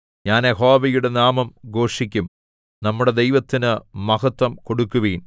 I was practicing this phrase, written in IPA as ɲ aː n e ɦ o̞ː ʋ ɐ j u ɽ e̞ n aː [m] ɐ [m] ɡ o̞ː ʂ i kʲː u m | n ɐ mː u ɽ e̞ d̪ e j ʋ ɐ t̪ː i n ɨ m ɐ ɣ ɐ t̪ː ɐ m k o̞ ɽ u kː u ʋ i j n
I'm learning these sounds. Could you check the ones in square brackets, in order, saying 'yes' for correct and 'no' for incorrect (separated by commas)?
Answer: yes, yes